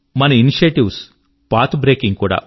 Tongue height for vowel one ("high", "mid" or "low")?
low